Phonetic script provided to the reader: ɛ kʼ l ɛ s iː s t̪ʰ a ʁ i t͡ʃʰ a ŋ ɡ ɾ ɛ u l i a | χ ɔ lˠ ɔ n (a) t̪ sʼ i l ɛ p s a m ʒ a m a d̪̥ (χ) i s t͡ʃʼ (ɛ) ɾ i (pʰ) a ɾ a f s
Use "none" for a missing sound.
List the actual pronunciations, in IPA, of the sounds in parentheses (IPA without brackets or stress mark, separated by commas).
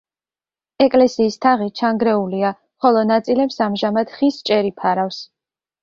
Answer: a, χ, ɛ, pʰ